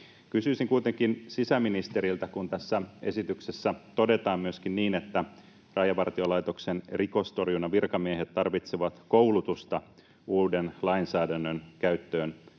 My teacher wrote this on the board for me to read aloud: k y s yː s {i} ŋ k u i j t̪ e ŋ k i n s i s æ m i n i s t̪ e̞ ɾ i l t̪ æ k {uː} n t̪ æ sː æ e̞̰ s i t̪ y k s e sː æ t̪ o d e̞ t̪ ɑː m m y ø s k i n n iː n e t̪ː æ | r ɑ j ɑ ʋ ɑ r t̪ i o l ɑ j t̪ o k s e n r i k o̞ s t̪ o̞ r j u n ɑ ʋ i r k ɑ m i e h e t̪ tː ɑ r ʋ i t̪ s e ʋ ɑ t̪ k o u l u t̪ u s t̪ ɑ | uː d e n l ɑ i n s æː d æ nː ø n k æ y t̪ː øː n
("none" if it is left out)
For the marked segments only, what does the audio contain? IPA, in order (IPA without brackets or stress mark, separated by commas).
i, u